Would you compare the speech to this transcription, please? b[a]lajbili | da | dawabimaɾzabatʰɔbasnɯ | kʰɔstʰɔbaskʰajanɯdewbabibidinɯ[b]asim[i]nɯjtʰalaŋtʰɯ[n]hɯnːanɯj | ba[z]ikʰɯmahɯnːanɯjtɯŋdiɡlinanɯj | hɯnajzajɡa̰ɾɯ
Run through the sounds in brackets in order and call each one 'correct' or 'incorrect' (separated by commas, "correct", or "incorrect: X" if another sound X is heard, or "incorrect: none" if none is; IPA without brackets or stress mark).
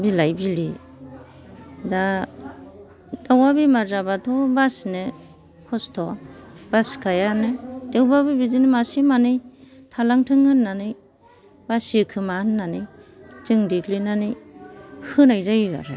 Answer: incorrect: i, incorrect: m, incorrect: a, incorrect: ŋ, incorrect: s